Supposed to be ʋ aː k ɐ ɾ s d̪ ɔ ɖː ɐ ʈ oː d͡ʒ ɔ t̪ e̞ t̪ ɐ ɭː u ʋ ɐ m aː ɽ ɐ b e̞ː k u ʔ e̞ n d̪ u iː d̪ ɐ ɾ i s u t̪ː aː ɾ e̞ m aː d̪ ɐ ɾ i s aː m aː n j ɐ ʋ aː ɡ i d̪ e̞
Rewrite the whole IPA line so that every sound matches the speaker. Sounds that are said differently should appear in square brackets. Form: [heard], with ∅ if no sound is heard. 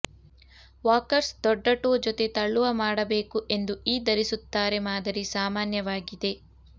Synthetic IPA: ʋ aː k ɐ ɾ s d̪ ɔ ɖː ɐ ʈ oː d͡ʒ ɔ t̪ e̞ t̪ ɐ ɭː u ʋ ɐ m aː ɽ ɐ b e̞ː k u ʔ e̞ n d̪ u iː d̪ ɐ ɾ i s u t̪ː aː ɾ e̞ m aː d̪ ɐ ɾ i s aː m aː n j ɐ ʋ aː ɡ i d̪ e̞

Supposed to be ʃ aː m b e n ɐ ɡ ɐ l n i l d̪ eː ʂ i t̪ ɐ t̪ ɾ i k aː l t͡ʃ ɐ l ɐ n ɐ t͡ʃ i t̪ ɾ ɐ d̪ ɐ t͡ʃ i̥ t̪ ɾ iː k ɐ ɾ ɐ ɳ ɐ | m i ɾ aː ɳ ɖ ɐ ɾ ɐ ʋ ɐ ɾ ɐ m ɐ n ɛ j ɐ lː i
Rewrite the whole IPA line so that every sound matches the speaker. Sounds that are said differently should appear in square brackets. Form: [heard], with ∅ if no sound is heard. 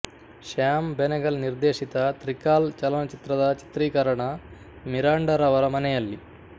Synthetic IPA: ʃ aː m b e n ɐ ɡ ɐ l n i [ɾ] d̪ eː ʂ i t̪ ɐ t̪ ɾ i k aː l t͡ʃ ɐ l ɐ n ɐ t͡ʃ i t̪ ɾ ɐ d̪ ɐ t͡ʃ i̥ t̪ ɾ iː k ɐ ɾ ɐ ɳ ɐ | m i ɾ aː ɳ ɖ ɐ ɾ ɐ ʋ ɐ ɾ ɐ m ɐ n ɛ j ɐ lː i

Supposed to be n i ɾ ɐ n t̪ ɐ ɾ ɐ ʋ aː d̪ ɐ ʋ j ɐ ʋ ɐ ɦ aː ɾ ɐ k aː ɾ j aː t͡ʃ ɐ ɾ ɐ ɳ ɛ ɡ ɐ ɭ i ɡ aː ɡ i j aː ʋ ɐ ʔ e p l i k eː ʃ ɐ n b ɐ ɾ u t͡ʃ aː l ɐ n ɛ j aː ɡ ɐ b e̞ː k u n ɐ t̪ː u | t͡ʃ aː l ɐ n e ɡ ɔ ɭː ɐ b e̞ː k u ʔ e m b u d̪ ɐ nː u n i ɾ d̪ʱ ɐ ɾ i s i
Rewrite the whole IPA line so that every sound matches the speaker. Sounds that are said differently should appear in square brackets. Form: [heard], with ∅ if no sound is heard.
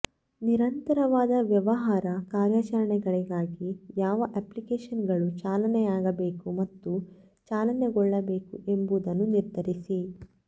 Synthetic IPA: n i ɾ ɐ n t̪ ɐ ɾ ɐ ʋ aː d̪ ɐ ʋ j ɐ ʋ ɐ ɦ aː ɾ ɐ k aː ɾ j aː t͡ʃ ɐ ɾ ɐ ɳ ɛ ɡ ɐ ɭ i ɡ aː ɡ i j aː ʋ ɐ ʔ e p l i k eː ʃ ɐ n [ɡ] ɐ [ɭ] u t͡ʃ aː l ɐ n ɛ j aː ɡ ɐ b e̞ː k u [m] ɐ t̪ː u | t͡ʃ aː l ɐ n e ɡ ɔ ɭː ɐ b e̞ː k u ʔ e m b u d̪ ɐ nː u n i ɾ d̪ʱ ɐ ɾ i s i

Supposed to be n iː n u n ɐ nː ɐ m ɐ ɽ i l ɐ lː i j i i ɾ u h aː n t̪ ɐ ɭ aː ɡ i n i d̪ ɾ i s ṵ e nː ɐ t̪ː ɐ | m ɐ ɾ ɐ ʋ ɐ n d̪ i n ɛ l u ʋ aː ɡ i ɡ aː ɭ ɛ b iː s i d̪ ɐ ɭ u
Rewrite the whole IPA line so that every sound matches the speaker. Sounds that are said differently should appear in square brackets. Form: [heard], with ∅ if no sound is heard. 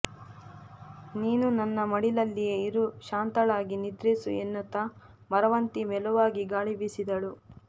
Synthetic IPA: n iː n u n ɐ nː ɐ m ɐ ɽ i l ɐ lː i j [e] i ɾ u [ʃ] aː n t̪ ɐ ɭ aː ɡ i n i d̪ ɾ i s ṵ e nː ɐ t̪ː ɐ | m ɐ ɾ ɐ ʋ ɐ n [t̪] i [m] ɛ l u ʋ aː ɡ i ɡ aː ɭ [i] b [i] s i d̪ ɐ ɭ u

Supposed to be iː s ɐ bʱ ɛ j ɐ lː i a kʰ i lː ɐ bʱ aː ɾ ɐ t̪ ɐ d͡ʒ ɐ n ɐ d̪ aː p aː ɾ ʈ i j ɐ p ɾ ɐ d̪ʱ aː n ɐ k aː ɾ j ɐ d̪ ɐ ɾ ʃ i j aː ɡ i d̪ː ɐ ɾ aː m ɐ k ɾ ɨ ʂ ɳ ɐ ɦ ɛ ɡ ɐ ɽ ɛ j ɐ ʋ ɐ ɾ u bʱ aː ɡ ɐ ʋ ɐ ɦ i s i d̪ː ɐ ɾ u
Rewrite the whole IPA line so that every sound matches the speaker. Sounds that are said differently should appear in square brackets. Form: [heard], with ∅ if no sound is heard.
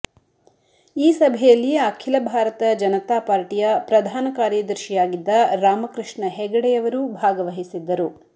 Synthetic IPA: iː s ɐ bʱ ɛ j ɐ lː i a kʰ i [l] ɐ bʱ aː ɾ ɐ t̪ ɐ d͡ʒ ɐ n ɐ [t̪] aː p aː ɾ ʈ i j ɐ p ɾ ɐ d̪ʱ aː n ɐ k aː ɾ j ɐ d̪ ɐ ɾ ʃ i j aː ɡ i d̪ː ɐ ɾ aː m ɐ k ɾ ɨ ʂ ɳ ɐ ɦ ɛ ɡ ɐ ɽ ɛ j ɐ ʋ ɐ ɾ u bʱ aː ɡ ɐ ʋ ɐ ɦ i s i d̪ː ɐ ɾ u

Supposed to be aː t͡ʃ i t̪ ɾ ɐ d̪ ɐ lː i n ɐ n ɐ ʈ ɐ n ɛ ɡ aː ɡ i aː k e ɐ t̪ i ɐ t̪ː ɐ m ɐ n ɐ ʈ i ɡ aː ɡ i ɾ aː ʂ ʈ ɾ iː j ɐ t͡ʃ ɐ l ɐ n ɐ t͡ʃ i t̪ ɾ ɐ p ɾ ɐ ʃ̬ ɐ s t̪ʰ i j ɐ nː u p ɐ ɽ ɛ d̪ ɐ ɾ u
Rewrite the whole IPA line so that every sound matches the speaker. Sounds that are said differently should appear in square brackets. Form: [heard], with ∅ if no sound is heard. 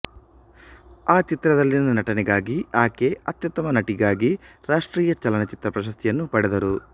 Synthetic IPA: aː t͡ʃ i t̪ ɾ ɐ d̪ ɐ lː i n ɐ n ɐ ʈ ɐ n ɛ ɡ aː ɡ i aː k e ɐ t̪ [j] ɐ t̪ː ɐ m ɐ n ɐ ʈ i ɡ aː ɡ i ɾ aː ʂ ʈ ɾ iː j ɐ t͡ʃ ɐ l ɐ n ɐ t͡ʃ i t̪ ɾ ɐ p ɾ ɐ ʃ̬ ɐ s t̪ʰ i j ɐ nː u p ɐ ɽ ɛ d̪ ɐ ɾ u

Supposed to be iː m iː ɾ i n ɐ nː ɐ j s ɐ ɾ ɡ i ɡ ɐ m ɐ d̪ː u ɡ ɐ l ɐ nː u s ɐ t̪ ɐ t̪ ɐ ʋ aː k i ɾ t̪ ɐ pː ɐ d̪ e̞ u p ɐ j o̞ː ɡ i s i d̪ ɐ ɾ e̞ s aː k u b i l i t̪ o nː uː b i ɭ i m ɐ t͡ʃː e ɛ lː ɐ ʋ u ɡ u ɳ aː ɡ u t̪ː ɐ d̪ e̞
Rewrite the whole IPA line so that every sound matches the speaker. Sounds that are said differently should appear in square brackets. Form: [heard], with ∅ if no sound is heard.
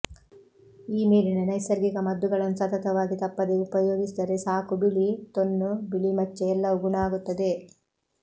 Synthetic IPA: iː m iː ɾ i n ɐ [n] ɐ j s ɐ ɾ ɡ i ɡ ɐ m ɐ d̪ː u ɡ ɐ [ɭ] ɐ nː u s ɐ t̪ ɐ t̪ ɐ ʋ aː [ɡ] i [∅] t̪ ɐ pː ɐ d̪ e̞ u p ɐ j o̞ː ɡ i s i d̪ ɐ ɾ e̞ s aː k u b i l i t̪ o nː [u] b i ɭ i m ɐ t͡ʃː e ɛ lː ɐ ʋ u ɡ u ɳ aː ɡ u t̪ː ɐ d̪ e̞

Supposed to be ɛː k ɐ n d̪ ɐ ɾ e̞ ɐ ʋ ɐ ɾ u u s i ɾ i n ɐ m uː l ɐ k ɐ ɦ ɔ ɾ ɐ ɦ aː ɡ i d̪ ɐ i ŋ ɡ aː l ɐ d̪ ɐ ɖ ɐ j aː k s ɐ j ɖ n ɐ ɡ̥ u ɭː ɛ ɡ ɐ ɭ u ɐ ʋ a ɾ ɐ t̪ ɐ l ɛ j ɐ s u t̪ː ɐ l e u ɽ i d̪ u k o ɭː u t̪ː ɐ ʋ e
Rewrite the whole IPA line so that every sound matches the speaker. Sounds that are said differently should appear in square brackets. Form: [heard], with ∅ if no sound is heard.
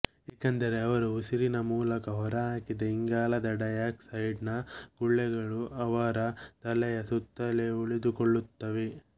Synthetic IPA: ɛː k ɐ n d̪ ɐ ɾ e̞ ɐ ʋ ɐ ɾ u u s i ɾ i n ɐ m uː l ɐ k ɐ ɦ ɔ ɾ ɐ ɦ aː [k] i d̪ ɐ i ŋ ɡ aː l ɐ d̪ ɐ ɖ ɐ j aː k s ɐ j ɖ n ɐ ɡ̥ u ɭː ɛ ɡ ɐ ɭ u ɐ ʋ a ɾ ɐ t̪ ɐ l ɛ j ɐ s u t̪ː ɐ l e u [ɭ] i d̪ u k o ɭː u t̪ː ɐ ʋ e

